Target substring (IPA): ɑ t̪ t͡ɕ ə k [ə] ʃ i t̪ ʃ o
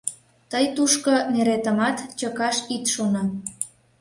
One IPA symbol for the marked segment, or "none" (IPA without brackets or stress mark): ɑ